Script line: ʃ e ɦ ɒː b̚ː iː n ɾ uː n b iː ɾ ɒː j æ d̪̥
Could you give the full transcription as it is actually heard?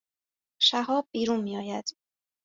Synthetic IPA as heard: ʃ æ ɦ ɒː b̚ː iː ɾ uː n m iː ɒː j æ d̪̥